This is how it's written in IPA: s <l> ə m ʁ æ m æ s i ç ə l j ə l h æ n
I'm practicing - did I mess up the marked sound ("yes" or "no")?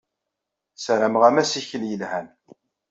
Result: yes